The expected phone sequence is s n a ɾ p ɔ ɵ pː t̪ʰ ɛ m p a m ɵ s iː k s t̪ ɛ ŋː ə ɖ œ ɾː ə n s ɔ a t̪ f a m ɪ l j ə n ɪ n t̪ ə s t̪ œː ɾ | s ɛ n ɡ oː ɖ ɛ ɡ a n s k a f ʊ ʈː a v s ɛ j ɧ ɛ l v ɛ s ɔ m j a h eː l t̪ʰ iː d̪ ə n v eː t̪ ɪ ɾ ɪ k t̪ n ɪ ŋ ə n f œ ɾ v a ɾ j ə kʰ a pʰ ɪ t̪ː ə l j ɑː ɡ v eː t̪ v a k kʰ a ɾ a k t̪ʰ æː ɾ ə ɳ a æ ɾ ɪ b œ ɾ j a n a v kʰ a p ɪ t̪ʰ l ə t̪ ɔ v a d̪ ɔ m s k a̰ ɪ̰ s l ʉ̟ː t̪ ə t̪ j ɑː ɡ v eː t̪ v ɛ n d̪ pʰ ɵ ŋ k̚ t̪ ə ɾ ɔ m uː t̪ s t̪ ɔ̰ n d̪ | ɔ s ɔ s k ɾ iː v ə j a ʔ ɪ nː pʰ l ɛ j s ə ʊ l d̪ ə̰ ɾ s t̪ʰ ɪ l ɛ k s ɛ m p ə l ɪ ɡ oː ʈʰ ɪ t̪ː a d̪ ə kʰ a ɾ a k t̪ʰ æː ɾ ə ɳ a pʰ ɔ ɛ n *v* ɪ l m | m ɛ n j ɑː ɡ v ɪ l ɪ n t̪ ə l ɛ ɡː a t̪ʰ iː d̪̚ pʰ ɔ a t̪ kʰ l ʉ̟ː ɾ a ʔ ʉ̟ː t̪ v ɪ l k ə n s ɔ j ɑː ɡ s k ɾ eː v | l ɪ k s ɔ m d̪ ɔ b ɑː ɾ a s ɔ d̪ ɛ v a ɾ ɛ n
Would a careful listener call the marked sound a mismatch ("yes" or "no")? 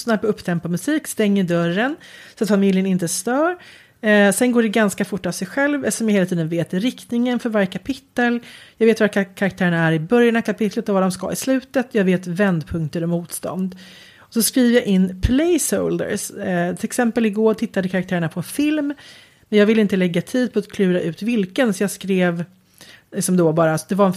yes